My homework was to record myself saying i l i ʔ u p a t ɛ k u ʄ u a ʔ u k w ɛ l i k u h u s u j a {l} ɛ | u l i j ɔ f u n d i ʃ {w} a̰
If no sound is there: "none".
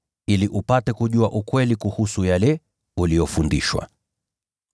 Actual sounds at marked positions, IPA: l, w

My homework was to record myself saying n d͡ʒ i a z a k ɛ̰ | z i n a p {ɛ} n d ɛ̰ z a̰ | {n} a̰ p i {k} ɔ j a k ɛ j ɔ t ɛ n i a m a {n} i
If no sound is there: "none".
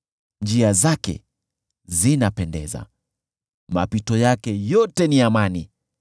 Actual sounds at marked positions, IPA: ɛ, m, t, n

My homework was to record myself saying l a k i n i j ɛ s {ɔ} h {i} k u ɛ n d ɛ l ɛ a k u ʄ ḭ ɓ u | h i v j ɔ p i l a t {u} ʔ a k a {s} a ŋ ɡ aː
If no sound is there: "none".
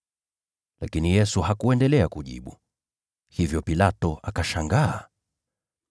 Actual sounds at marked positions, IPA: u, a, ɔ, ʃ

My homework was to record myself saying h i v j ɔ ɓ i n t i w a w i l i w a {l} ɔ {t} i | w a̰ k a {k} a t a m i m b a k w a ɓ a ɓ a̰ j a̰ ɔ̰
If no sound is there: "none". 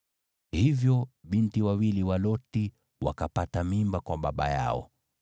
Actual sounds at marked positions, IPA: l, t, p

